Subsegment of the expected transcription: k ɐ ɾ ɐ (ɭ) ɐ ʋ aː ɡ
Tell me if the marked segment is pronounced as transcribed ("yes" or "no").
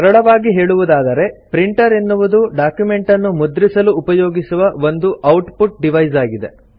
yes